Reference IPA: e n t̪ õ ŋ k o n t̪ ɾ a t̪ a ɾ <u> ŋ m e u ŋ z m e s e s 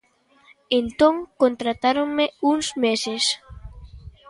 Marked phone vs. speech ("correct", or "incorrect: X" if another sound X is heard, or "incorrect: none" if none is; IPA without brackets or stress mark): incorrect: o